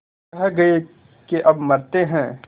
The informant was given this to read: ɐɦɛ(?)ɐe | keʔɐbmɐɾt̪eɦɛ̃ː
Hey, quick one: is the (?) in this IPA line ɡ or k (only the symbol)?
ɡ